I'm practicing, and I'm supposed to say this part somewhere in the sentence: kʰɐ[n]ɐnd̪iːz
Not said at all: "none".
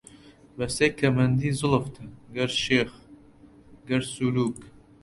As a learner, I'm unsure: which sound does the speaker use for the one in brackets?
m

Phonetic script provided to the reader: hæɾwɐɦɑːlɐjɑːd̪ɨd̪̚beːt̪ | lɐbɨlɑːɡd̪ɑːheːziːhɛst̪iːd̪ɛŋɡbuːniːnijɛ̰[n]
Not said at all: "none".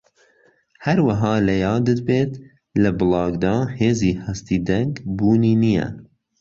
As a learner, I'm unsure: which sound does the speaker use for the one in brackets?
none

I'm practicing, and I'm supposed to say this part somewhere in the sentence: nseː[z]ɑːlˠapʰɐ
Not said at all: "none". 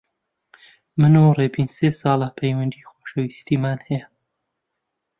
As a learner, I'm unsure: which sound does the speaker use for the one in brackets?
s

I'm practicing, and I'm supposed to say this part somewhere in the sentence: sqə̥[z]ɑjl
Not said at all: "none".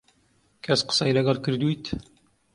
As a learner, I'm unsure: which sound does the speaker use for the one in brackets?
s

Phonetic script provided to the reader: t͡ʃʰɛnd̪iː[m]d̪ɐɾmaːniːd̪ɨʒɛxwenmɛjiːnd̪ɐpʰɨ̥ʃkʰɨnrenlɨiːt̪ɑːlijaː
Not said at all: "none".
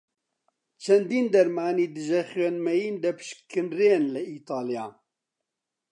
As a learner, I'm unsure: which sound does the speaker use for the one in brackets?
n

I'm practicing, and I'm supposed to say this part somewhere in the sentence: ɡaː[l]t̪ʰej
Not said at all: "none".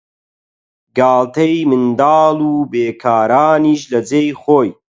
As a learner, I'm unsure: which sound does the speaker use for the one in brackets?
l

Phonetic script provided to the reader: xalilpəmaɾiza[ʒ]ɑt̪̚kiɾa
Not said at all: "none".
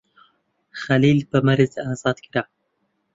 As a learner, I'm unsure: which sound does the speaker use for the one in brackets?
z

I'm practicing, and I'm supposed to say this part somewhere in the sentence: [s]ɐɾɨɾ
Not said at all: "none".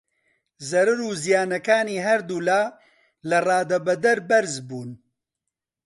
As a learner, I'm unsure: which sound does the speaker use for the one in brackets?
z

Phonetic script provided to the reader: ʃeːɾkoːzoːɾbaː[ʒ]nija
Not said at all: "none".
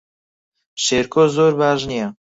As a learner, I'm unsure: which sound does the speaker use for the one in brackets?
ʒ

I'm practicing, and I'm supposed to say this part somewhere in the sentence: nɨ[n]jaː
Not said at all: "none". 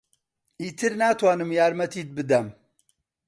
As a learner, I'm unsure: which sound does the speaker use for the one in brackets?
m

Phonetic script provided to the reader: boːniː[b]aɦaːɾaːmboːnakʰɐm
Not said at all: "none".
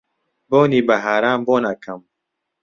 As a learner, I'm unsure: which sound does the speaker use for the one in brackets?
b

